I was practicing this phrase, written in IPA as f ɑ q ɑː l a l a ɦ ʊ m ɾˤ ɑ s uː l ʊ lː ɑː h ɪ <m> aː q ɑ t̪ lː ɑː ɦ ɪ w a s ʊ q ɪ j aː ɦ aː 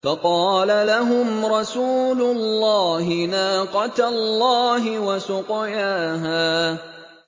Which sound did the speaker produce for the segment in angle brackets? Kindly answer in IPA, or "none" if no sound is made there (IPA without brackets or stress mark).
n